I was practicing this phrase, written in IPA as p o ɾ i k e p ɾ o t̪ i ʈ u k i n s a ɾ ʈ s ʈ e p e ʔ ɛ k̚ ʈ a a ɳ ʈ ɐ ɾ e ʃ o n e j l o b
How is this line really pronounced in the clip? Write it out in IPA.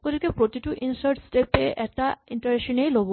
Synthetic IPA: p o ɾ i k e p ɾ o t̪ i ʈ u ʔ i n s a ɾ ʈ s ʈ e p e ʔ ɛ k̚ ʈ a i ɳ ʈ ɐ ɾ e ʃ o n e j l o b